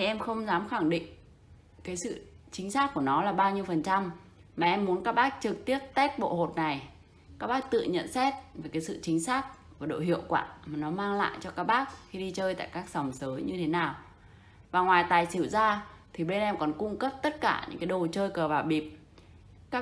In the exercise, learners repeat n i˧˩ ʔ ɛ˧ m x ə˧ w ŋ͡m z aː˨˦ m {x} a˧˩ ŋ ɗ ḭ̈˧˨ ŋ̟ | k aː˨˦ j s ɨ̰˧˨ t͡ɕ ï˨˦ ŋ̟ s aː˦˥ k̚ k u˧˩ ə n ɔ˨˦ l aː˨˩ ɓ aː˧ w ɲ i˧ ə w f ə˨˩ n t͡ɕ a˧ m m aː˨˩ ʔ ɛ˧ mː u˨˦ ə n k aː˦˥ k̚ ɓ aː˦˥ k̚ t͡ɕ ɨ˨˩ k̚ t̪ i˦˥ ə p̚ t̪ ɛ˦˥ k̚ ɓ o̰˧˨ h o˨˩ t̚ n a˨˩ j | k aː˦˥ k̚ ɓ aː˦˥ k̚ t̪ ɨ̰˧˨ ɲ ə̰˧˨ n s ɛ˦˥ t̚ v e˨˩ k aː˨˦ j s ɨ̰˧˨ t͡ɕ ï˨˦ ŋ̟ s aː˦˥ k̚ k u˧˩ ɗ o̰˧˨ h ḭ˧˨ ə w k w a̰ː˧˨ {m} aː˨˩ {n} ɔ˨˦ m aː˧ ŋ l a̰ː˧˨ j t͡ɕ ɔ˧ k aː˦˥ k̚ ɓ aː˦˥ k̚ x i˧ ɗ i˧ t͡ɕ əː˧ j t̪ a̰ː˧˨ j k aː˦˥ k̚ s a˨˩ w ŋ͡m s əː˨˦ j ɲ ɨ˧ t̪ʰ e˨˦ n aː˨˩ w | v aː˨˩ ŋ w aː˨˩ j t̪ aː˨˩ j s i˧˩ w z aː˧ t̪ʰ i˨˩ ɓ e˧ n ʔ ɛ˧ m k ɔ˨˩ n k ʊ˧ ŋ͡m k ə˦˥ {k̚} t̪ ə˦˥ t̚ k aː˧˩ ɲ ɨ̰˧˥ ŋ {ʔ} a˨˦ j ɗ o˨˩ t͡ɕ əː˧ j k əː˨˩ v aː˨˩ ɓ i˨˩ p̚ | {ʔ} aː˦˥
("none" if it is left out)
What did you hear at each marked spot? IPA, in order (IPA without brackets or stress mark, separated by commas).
x, m, n, p̚, k, k